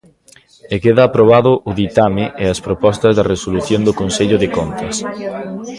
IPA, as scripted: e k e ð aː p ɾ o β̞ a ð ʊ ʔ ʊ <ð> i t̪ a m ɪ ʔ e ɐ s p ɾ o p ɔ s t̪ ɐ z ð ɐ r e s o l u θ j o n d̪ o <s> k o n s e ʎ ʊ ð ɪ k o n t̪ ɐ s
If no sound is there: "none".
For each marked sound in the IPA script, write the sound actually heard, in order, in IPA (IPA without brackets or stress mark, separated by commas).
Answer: ð, none